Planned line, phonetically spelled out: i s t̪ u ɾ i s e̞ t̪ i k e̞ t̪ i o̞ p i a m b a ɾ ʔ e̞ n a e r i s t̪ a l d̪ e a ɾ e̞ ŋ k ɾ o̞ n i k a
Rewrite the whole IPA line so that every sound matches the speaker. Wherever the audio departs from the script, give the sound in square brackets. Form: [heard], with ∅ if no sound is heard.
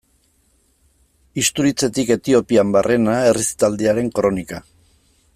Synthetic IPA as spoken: i s t̪ u ɾ i [t͡s] e̞ t̪ i k e̞ t̪ i o̞ p i a m b a [r] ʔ e̞ n a e r i s t̪ a l d̪ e a ɾ e̞ ŋ k ɾ o̞ n i k a